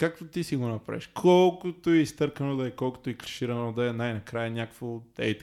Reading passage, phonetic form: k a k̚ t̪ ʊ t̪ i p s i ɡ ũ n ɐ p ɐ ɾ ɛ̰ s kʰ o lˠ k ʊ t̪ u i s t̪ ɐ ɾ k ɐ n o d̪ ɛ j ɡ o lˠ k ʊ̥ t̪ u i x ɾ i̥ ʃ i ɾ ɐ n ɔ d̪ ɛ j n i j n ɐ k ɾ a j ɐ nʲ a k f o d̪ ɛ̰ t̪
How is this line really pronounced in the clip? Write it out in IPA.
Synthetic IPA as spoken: k a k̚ t̪ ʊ t̪ i s i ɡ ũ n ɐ p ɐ ɾ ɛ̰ ʃ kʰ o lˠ k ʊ t̪ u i s t̪ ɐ ɾ k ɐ n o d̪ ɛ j k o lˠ k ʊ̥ t̪ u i k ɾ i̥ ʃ i ɾ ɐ n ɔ d̪ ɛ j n a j n ɐ k ɾ a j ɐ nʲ a k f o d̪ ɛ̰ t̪